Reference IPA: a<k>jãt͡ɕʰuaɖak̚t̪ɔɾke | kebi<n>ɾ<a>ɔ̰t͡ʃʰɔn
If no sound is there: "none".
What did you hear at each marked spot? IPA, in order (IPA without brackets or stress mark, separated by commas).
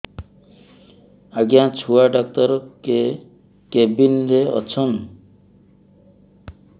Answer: ɡ, n, e